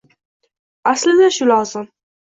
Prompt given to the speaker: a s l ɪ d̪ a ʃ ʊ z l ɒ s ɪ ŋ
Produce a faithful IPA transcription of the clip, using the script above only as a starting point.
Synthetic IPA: a s l ɪ d̪ a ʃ ʊ l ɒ z ɪ m